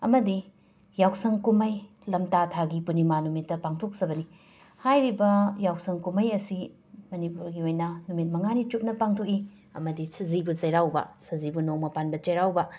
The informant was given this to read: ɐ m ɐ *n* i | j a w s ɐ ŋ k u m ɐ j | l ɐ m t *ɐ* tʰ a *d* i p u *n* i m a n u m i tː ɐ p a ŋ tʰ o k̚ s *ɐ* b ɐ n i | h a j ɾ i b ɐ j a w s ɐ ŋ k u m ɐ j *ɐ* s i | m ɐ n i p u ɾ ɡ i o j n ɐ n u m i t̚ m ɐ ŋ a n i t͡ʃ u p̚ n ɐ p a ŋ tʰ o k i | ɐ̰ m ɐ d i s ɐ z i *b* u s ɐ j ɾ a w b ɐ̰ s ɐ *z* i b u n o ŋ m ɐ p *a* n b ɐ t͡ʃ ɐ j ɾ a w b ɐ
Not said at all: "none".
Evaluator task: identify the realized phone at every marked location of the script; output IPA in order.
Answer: d, a, ɡ, n, ɐ, ɐ, b, z, a

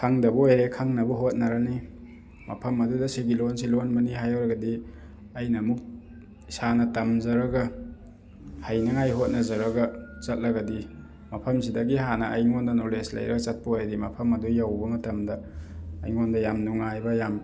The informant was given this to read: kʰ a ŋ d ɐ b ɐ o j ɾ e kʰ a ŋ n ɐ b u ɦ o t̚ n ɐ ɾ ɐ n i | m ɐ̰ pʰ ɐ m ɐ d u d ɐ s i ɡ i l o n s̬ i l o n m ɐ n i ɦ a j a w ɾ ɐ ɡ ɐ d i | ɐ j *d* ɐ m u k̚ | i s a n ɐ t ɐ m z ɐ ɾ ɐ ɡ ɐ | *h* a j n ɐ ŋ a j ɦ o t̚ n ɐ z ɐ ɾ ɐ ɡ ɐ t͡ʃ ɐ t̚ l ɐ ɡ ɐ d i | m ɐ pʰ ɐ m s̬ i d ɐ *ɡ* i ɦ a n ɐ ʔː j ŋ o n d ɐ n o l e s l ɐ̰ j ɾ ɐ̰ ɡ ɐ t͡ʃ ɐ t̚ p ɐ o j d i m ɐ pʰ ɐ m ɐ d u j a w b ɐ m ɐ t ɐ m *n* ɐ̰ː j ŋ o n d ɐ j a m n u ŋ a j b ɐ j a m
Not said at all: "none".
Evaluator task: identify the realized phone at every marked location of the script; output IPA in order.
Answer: n, h, ɡ, d

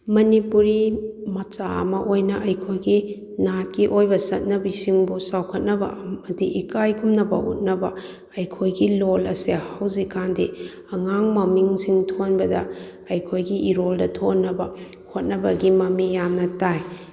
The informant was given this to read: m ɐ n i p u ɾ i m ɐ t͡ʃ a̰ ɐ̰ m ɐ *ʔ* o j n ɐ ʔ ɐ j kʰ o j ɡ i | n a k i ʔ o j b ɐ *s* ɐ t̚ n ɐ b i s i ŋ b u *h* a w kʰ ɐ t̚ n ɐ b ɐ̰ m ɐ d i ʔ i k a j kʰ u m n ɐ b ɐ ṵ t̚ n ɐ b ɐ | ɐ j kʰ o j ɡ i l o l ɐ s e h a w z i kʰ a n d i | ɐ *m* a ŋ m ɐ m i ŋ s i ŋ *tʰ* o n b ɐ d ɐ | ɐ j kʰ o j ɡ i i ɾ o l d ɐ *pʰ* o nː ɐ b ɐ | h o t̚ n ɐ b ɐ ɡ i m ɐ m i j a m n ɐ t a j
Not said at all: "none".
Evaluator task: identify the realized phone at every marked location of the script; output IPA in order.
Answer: ʔ, s, s, ŋ, tʰ, tʰ

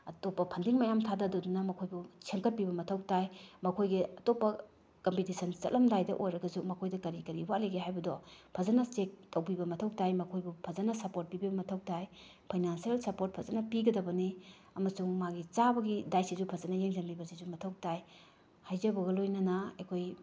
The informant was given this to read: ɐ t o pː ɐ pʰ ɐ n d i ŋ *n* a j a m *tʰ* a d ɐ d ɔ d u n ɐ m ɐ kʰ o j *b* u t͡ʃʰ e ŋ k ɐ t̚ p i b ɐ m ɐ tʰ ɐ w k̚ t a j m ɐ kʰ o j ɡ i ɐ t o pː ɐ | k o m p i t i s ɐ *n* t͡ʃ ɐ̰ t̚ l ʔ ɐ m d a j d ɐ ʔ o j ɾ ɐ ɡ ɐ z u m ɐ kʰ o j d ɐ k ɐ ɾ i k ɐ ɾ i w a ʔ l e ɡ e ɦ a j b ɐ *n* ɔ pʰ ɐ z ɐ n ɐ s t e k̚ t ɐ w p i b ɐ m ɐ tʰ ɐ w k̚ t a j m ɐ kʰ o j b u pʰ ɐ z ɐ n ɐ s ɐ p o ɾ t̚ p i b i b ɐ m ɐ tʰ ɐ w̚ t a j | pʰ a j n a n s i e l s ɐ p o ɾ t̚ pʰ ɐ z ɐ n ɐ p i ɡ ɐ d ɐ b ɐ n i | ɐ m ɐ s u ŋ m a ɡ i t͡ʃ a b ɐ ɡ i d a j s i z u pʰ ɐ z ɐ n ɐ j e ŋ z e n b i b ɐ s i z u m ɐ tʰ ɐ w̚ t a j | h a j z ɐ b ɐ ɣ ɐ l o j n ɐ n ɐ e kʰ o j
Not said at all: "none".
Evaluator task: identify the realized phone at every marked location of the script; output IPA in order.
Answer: m, tʰ, b, n, d

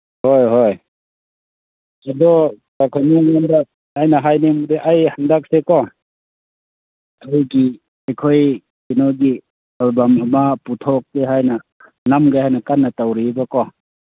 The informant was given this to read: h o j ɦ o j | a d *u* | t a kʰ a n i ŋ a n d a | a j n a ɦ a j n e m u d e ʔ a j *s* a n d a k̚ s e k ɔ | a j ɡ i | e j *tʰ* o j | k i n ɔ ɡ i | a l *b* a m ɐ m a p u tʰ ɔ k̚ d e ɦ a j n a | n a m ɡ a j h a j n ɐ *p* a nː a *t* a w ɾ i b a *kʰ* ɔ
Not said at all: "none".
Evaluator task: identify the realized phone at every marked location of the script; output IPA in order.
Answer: ɔ, h, kʰ, b, k, t, k

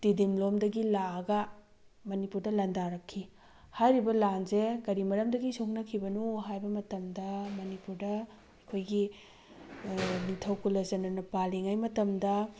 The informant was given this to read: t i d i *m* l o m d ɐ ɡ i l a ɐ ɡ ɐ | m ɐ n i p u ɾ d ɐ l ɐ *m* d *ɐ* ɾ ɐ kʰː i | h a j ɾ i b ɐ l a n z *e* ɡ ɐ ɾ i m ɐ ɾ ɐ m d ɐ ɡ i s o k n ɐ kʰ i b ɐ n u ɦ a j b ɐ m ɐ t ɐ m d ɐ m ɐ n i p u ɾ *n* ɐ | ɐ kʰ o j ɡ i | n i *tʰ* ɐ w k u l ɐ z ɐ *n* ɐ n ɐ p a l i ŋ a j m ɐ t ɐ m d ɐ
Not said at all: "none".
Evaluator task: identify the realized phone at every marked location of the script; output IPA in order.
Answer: m, n, a, e, d, tʰ, n

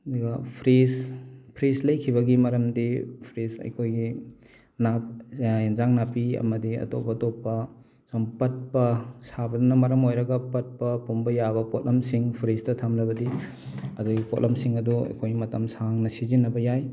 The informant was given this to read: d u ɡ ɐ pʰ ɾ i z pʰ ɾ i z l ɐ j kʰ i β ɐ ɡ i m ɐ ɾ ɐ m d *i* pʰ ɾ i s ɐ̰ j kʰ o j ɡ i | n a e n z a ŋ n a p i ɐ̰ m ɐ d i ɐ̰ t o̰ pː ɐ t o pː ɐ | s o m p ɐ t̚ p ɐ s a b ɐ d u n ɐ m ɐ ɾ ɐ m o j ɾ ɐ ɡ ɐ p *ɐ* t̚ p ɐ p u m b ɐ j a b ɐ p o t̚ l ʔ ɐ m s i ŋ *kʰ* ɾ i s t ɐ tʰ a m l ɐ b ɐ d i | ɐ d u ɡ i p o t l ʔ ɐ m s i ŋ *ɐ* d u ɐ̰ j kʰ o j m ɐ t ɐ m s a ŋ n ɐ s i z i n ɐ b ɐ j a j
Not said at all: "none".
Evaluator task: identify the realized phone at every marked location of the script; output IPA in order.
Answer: i, ɐ, pʰ, ɐ

